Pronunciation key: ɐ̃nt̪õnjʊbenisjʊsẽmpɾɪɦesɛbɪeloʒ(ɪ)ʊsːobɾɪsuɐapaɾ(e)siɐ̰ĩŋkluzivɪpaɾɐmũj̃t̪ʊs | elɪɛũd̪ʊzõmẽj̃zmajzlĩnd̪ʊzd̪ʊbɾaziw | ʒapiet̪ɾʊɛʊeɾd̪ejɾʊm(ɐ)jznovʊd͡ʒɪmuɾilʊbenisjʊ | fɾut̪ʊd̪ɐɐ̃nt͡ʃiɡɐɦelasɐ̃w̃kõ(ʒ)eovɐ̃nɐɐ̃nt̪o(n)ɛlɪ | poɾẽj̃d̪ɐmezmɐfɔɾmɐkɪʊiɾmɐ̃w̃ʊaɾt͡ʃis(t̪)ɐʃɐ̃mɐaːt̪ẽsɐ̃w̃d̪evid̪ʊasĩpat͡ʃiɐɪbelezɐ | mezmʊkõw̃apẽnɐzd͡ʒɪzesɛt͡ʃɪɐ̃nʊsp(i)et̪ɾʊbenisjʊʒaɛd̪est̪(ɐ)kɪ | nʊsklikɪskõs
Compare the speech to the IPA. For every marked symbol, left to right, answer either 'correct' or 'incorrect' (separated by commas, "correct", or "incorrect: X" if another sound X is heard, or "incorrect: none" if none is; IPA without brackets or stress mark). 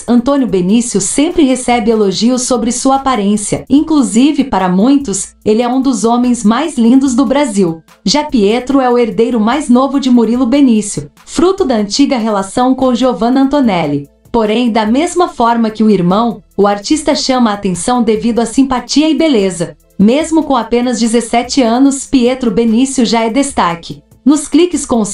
incorrect: i, incorrect: ẽ, incorrect: a, correct, correct, correct, correct, incorrect: a